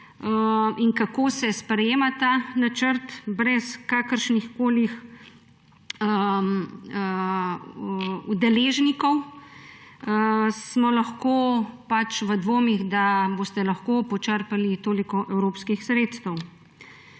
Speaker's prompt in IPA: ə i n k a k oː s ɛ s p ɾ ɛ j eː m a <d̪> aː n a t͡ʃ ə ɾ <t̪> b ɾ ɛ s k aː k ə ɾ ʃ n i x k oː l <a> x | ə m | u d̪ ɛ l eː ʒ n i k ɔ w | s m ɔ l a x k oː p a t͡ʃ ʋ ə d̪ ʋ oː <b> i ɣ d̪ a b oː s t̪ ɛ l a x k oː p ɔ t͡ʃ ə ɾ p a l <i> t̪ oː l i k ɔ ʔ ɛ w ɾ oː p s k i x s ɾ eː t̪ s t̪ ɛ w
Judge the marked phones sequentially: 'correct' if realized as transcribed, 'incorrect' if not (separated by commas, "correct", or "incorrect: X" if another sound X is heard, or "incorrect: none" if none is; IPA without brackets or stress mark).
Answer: incorrect: t̪, correct, incorrect: i, incorrect: m, correct